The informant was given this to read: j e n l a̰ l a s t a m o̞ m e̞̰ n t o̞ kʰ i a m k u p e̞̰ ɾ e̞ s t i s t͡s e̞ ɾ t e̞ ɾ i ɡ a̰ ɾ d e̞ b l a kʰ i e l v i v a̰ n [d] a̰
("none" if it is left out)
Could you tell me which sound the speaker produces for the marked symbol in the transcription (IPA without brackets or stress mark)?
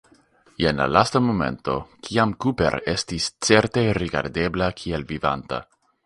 t